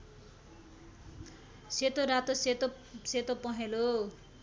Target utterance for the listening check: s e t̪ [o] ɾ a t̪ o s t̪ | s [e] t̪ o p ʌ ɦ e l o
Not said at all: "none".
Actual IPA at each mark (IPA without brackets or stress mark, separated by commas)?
o, e